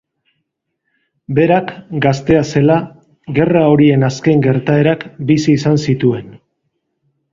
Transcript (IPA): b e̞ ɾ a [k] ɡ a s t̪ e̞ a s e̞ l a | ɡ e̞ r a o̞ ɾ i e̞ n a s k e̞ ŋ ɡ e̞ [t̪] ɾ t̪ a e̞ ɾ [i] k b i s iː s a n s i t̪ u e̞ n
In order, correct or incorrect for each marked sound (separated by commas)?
correct, incorrect, incorrect